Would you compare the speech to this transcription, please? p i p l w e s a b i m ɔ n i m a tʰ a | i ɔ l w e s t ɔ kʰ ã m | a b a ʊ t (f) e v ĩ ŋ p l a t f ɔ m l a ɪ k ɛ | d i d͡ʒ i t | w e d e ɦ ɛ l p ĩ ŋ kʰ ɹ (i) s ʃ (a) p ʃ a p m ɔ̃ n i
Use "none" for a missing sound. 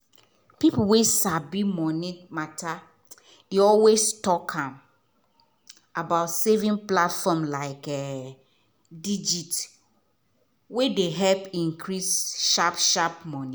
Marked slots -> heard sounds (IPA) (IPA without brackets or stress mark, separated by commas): s, i, a